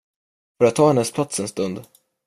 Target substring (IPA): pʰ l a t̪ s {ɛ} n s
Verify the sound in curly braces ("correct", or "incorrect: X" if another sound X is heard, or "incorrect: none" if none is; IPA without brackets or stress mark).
correct